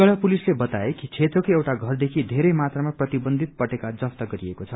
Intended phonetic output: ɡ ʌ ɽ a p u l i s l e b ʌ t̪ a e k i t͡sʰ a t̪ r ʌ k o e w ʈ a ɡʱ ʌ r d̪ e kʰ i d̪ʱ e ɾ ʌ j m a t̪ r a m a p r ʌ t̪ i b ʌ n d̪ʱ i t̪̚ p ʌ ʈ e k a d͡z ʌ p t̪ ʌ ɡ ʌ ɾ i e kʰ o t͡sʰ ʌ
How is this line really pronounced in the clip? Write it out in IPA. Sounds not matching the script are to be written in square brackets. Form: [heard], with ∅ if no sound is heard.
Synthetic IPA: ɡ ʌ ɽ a p u l i s l e b ʌ t̪ a e k i t͡sʰ [e] t̪ r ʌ k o e w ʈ a ɡʱ ʌ r d̪ e kʰ i d̪ʱ e ɾ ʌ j m a t̪ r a m a p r ʌ t̪ i b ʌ n d̪ʱ i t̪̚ p ʌ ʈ e k a d͡z ʌ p t̪ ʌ ɡ ʌ ɾ i e [k] o t͡sʰ ʌ